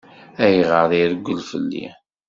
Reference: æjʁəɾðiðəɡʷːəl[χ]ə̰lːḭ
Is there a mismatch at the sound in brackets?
yes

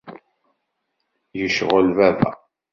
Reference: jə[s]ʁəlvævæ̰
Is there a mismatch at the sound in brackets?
yes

